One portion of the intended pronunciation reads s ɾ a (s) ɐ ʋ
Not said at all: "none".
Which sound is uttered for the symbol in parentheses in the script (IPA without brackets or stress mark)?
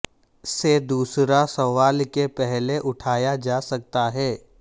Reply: s